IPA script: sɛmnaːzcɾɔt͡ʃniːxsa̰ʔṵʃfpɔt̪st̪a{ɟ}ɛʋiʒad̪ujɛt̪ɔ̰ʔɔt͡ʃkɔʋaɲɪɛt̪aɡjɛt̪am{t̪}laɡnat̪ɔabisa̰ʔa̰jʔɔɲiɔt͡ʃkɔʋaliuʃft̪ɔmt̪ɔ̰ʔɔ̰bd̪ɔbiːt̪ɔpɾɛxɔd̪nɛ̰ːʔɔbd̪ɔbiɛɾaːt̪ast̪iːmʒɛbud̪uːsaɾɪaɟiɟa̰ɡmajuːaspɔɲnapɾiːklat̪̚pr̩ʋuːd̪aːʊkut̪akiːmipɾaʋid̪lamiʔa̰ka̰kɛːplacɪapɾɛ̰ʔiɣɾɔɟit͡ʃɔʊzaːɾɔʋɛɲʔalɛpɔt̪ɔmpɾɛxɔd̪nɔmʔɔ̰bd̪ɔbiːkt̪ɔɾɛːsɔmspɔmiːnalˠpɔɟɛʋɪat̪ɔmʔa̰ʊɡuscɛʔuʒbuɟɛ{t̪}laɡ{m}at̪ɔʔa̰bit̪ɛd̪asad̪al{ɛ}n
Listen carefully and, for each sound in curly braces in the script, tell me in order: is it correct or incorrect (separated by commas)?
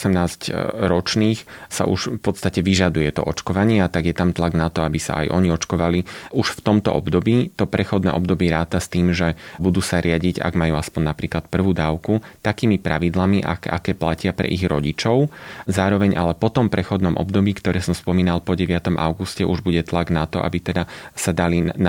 incorrect, correct, correct, incorrect, incorrect